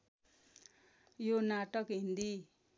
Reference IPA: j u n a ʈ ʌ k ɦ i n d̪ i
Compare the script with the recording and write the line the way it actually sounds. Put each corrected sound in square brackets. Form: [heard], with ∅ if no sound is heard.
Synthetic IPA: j [o] n a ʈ ʌ k ɦ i n d̪ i